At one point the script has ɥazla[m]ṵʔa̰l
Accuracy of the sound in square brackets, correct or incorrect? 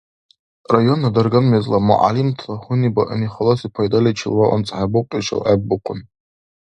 correct